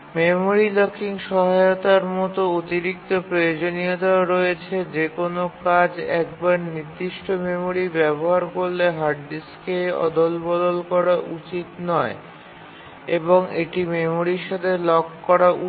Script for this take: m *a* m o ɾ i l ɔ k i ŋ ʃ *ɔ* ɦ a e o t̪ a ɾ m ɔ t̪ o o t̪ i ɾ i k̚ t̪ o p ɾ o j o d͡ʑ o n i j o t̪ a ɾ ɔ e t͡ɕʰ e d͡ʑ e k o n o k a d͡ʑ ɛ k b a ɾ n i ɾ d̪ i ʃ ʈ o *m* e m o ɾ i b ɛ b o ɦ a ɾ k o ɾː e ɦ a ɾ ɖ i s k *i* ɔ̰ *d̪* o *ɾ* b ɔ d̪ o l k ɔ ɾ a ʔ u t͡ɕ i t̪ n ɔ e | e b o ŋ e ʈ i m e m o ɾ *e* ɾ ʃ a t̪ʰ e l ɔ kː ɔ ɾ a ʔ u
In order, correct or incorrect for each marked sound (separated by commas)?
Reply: incorrect, correct, correct, incorrect, correct, incorrect, incorrect